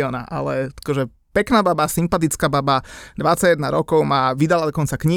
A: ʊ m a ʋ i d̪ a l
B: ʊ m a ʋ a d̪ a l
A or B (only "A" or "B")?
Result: A